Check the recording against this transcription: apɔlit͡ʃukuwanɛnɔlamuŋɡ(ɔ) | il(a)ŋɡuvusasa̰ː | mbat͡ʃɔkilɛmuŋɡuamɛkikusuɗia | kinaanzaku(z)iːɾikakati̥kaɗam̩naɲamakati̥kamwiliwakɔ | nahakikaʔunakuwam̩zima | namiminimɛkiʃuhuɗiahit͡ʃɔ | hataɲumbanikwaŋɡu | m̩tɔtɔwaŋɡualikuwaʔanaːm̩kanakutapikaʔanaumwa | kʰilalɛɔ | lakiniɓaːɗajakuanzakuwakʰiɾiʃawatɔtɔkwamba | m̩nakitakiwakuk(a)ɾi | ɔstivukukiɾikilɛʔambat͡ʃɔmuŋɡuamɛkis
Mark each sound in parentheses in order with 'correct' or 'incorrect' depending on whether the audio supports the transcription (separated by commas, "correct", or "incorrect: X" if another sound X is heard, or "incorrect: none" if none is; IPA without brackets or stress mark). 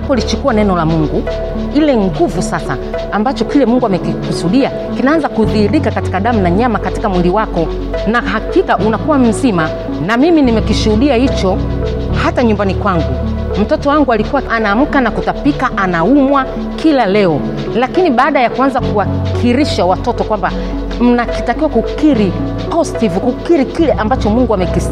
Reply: incorrect: u, incorrect: ɛ, incorrect: ð, incorrect: i